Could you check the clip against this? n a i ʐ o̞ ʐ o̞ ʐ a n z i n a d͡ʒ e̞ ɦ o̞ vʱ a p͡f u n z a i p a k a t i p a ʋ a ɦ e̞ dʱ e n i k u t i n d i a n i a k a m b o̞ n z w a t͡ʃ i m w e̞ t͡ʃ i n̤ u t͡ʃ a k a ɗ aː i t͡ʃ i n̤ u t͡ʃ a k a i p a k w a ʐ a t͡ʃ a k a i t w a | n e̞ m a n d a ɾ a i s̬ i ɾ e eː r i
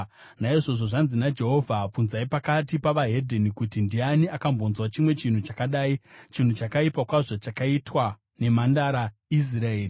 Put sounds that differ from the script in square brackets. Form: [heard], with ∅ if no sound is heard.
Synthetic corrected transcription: n a i ʐ o̞ ʐ o̞ ʐ a n z i n a d͡ʒ e̞ ɦ o̞ vʱ a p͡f u n z a i p a k a t i p a ʋ a ɦ e̞ dʱ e n i k u t i n d i a n i a k a m b o̞ n z w a t͡ʃ i m w e̞ t͡ʃ i n̤ u t͡ʃ a k a ɗ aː i t͡ʃ i n̤ u t͡ʃ a k a i p a k w a ʐ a t͡ʃ a k a i t w a | n e̞ m a n d a ɾ a i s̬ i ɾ [a] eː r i